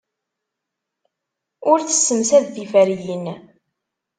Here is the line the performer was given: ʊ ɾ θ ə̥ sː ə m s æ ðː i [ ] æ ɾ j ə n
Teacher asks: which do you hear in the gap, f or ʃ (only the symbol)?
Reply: f